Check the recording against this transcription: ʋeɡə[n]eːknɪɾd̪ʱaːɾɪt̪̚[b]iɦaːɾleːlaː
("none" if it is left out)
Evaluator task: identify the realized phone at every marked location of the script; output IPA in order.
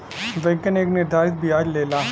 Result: n, b

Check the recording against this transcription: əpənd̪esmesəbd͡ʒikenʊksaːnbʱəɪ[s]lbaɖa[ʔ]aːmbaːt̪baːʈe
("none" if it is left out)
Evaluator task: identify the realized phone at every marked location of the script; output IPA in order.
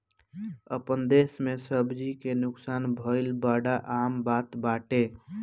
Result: none, ʔ

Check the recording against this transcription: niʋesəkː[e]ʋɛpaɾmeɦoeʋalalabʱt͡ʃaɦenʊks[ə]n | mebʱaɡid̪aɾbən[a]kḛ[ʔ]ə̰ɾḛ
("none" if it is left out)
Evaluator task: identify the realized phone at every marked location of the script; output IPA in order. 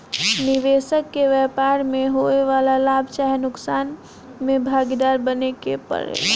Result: e, a, e, p

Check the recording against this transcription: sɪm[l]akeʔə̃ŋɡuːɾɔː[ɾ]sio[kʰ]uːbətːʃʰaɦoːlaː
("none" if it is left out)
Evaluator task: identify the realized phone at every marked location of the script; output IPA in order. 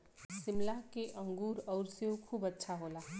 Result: l, ɾ, kʰ

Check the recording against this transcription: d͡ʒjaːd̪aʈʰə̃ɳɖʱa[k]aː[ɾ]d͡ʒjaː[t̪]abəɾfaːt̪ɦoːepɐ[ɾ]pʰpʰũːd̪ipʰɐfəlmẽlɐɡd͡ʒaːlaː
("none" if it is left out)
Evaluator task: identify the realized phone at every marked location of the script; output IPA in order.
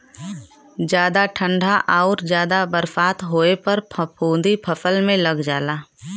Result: ʔ, ɾ, d̪, ɾ

